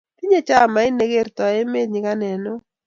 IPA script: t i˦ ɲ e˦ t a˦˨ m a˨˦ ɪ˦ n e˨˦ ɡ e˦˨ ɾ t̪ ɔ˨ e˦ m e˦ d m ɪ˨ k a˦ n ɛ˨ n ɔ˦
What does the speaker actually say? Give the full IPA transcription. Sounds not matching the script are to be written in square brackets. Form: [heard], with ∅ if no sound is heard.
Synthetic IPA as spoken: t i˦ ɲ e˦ [t͡ʃ] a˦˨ m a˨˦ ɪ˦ n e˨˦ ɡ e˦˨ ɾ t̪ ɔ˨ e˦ m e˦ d [ɲ] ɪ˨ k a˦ n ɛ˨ n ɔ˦

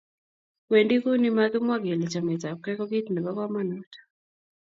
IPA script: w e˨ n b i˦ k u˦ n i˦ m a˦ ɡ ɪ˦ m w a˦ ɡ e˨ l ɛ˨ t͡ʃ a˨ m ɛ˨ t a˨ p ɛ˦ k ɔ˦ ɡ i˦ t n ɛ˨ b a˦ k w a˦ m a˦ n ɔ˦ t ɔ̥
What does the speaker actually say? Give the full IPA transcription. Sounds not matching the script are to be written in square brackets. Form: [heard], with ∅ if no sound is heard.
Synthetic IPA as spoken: w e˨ n [d] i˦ k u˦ n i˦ m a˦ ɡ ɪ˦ m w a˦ ɡ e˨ l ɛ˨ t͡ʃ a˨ m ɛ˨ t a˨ [k] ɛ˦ k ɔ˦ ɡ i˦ t n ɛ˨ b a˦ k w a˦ m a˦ n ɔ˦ t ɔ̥

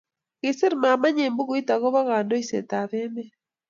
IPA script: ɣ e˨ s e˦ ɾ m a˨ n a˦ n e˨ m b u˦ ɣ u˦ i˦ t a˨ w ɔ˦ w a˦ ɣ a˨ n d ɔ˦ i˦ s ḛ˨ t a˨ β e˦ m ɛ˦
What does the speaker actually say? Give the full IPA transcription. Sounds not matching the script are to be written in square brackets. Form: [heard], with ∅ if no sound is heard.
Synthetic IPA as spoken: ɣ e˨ s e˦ ɾ m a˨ [m] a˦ [ɲ] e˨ m b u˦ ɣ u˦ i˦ t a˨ [ɣ] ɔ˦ [β] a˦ ɣ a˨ n d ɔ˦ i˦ s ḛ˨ t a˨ β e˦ m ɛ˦

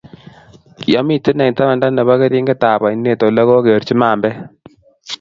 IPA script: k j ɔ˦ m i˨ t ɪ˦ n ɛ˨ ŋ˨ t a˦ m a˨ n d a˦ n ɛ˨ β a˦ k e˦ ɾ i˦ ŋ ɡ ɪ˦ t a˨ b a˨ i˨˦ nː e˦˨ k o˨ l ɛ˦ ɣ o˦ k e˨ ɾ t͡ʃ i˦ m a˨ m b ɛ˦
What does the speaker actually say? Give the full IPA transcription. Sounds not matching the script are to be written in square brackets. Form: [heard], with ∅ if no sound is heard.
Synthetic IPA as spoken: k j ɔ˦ m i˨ t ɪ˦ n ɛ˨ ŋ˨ t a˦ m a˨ n d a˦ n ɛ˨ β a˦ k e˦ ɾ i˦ ŋ ɡ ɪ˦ t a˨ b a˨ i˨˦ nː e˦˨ [t] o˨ l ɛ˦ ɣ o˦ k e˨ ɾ t͡ʃ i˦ m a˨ m b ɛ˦

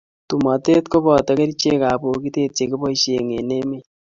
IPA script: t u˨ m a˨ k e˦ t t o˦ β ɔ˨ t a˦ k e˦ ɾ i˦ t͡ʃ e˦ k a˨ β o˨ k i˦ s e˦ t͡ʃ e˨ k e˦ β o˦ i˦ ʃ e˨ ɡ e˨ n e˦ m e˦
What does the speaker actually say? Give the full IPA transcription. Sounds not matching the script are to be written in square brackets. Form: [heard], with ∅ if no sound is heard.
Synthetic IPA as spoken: t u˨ m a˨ [t] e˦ t [k] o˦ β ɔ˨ t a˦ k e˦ ɾ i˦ t͡ʃ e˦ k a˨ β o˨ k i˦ [t] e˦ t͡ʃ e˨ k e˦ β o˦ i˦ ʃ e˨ [ŋ] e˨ n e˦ m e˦

